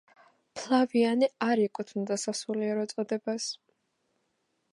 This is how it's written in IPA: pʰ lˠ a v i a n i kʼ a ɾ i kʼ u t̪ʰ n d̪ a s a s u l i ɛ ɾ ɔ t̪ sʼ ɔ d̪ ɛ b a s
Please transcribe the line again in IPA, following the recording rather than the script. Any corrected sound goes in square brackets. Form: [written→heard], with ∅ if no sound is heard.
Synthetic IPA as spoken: pʰ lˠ a v i a n i [kʼ→∅] a ɾ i kʼ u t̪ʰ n d̪ a s a s u l i ɛ ɾ ɔ t̪ sʼ ɔ d̪ ɛ b a s